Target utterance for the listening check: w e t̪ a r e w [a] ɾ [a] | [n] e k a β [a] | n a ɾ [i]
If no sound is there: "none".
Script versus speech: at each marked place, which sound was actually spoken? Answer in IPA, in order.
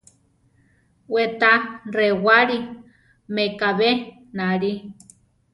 a, i, m, e, i

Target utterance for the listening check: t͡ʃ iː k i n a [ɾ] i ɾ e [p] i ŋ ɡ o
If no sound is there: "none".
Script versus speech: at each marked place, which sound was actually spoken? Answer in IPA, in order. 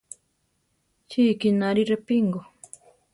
ɾ, p

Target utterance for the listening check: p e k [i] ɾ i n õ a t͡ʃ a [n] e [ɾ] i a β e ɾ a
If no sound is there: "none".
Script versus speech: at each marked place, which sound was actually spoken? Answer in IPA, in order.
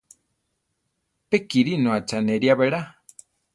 i, n, ɾ

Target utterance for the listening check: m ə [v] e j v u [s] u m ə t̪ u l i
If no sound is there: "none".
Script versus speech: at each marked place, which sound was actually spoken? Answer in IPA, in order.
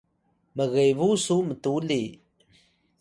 ɣ, s

